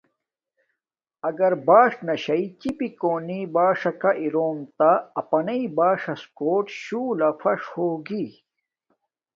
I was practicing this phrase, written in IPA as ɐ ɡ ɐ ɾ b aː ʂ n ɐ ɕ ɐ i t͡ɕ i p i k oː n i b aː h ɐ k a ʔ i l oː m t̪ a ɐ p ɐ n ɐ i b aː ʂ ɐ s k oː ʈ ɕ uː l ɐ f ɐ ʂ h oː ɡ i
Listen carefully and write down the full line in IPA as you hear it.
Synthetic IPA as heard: ɐ ɡ ɐ ɾ b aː ʂ n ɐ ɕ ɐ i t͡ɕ i p i k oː n i b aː ʂ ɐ k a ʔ i ɾ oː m t̪ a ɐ p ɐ n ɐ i b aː ʂ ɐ s k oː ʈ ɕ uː l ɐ f ɐ ʂ h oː ɡ i